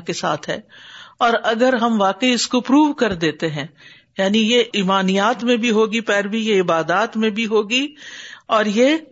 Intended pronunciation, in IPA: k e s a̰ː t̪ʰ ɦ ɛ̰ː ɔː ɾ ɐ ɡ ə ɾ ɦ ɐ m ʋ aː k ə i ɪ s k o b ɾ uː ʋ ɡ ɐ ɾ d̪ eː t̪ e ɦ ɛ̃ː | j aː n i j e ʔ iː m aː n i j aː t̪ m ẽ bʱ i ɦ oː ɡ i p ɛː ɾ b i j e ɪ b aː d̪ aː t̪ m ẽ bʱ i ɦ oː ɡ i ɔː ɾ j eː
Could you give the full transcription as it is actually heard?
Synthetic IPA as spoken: k e s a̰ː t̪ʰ ɦ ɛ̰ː ɔː ɾ ɐ ɡ ə ɾ ɦ ɐ m ʋ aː k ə i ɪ s k o p ɾ uː ʋ k ɐ ɾ d̪ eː t̪ e ɦ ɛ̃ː | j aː n i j e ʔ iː m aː n i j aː t̪ m ẽ bʱ i ɦ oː ɡ i p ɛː ɾ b i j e ɪ b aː d̪ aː t̪ m ẽ bʱ i ɦ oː ɡ i ɔː ɾ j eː